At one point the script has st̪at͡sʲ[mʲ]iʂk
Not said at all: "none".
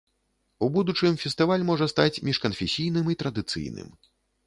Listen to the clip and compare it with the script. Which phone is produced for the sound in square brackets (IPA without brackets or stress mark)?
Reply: mʲ